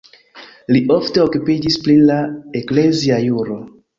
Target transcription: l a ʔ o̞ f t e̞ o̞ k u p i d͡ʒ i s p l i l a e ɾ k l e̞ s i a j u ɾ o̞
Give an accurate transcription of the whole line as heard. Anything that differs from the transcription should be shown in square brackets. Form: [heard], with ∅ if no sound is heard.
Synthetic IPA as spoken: l [i] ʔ o̞ f t e̞ o̞ k u p i d͡ʒ i s p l i l a e [∅] k l e̞ [z] i a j u ɾ o̞